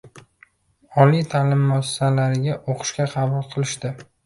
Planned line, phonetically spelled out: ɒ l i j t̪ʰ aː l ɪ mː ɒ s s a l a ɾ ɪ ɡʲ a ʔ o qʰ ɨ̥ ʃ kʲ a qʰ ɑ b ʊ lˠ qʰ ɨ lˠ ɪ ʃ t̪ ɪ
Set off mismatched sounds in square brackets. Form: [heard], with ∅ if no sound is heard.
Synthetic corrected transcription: ɒ l i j t̪ʰ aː l ɪ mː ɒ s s a l a ɾ ɪ ɡʲ a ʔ o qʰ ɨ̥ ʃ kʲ a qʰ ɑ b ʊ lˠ qʰ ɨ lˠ ɪ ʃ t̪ ɪ